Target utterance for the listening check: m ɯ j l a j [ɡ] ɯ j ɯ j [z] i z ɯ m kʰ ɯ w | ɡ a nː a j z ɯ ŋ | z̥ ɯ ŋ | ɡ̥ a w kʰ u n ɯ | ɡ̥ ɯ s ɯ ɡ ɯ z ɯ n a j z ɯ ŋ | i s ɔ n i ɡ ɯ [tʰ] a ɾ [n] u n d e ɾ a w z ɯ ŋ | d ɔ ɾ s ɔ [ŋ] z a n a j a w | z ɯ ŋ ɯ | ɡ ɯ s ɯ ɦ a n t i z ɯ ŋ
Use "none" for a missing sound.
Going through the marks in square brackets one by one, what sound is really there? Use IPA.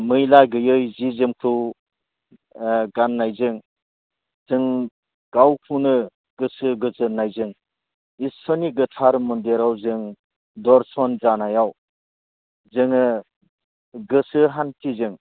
ɡ, z, tʰ, m, n

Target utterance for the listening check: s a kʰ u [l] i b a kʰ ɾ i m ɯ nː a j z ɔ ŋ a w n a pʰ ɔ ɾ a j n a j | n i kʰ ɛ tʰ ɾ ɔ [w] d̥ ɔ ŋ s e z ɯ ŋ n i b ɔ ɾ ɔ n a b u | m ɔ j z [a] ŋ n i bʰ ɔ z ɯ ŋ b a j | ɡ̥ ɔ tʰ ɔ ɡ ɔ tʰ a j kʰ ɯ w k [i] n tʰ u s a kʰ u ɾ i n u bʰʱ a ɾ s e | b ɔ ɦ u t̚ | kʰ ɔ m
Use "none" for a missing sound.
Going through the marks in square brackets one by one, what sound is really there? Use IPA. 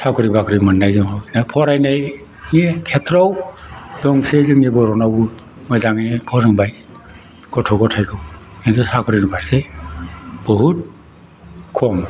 ɾ, w, a, i

